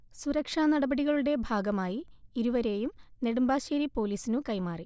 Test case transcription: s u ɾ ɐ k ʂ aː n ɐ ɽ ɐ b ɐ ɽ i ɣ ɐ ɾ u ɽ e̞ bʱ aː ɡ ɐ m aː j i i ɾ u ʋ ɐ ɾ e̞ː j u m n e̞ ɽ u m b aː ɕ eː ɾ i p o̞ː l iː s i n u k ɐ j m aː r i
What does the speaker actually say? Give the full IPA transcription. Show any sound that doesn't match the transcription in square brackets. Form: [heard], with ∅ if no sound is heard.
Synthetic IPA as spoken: s u ɾ ɐ k ʂ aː n ɐ ɽ ɐ b ɐ ɽ i ɣ ɐ [ɭ] u ɽ e̞ bʱ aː ɡ ɐ m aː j i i ɾ u ʋ ɐ ɾ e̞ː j u m n e̞ ɽ u m b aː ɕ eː ɾ i p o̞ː l iː s i n u k ɐ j m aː r i